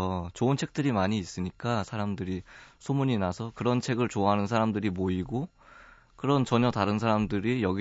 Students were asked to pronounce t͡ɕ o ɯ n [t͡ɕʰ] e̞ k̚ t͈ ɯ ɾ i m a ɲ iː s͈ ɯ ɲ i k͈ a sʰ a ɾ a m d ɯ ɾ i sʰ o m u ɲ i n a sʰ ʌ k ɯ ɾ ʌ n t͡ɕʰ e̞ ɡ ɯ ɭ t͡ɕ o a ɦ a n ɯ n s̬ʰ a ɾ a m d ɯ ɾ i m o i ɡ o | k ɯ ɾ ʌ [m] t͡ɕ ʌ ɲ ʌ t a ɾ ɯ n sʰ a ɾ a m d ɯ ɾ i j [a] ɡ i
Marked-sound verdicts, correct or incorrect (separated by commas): correct, incorrect, incorrect